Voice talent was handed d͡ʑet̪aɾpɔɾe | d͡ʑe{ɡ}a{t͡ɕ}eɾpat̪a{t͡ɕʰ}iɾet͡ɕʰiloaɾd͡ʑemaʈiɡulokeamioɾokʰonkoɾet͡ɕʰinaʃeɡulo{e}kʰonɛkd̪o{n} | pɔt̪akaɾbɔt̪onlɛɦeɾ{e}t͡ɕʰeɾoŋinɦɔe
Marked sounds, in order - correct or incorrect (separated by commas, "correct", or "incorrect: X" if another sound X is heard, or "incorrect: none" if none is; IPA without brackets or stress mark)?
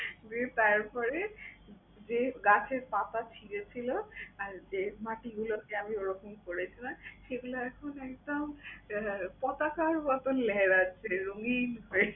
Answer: correct, incorrect: t͡ɕʰ, correct, incorrect: ɛ, incorrect: m, incorrect: a